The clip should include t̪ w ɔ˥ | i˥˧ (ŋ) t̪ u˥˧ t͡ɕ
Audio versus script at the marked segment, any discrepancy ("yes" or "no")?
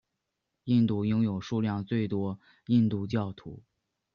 yes